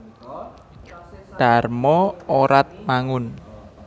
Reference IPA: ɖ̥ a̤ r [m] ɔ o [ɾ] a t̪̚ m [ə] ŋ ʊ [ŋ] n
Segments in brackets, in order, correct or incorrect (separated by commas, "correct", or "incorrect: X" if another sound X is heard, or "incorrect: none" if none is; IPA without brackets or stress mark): correct, correct, incorrect: a, incorrect: none